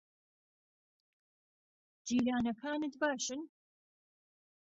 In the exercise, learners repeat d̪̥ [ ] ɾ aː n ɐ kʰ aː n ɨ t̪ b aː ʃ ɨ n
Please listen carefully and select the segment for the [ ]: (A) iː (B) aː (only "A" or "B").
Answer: A